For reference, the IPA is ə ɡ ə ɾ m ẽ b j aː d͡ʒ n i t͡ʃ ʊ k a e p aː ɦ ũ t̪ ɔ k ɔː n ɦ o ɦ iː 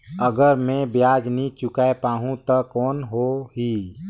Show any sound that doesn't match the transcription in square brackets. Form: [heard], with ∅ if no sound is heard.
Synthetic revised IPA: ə ɡ ə ɾ m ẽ b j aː d͡ʒ n i t͡ʃ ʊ k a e p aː ɦ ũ t̪ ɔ k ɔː n ɦ o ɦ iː